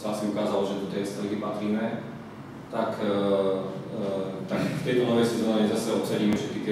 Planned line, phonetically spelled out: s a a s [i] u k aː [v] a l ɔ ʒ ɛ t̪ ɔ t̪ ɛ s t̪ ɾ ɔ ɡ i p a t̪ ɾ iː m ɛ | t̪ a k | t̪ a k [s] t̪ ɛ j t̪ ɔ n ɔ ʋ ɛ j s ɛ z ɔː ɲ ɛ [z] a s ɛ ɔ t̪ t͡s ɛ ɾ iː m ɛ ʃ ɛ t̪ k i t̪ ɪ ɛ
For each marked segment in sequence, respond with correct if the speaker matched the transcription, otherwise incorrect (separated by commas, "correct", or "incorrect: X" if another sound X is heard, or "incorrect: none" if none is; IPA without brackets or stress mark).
correct, incorrect: z, incorrect: f, correct